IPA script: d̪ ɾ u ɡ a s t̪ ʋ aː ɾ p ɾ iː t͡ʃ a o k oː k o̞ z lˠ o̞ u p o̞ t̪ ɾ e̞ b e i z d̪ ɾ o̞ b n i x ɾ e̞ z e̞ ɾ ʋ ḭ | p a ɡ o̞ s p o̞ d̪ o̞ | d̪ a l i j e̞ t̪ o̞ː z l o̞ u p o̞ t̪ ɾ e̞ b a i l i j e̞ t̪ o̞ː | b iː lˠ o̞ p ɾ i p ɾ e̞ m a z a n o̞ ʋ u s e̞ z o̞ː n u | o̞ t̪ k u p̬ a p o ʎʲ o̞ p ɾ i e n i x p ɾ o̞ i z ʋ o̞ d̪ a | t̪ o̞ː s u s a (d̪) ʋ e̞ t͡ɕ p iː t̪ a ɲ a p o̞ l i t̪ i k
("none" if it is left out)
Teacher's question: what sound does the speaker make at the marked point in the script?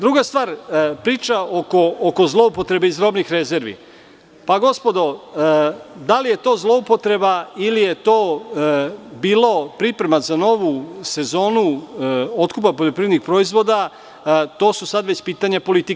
d̪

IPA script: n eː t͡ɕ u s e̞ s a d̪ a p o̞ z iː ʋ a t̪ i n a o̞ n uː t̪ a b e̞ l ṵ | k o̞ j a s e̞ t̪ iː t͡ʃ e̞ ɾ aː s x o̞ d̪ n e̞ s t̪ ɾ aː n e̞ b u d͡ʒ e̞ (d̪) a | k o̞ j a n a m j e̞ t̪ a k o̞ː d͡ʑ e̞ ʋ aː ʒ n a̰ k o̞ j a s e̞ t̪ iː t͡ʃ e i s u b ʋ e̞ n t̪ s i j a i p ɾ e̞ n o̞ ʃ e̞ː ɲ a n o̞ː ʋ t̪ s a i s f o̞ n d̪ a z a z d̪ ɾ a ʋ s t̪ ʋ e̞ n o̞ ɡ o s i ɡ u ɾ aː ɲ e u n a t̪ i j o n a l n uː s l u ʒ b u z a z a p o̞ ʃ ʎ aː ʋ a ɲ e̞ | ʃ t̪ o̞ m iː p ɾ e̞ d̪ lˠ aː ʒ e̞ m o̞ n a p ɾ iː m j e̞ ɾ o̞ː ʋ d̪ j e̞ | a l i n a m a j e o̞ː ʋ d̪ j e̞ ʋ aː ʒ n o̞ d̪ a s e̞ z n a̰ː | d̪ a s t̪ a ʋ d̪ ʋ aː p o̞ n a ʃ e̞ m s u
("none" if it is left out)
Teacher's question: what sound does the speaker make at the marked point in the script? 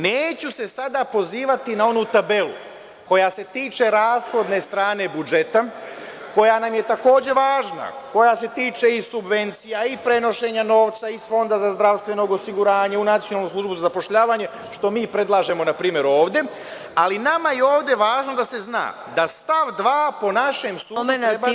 t̪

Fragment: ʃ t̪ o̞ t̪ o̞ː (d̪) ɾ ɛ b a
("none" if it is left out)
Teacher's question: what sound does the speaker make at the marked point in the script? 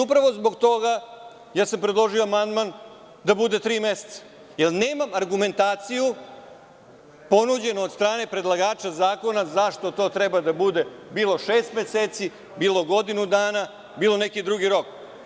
t̪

